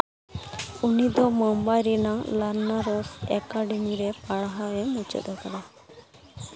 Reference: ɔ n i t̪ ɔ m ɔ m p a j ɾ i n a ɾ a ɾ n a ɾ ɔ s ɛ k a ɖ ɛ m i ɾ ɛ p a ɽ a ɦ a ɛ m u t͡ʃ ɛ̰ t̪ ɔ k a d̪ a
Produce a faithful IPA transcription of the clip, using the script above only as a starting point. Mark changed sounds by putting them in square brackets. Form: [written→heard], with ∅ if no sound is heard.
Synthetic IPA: [ɔ→u] n i [t̪→d̪] ɔ m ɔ m [p→b] a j ɾ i n a [ɾ→l] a ɾ n a ɾ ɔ s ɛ k a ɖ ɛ m i ɾ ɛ p a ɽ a ɦ a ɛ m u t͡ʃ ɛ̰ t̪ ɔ k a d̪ a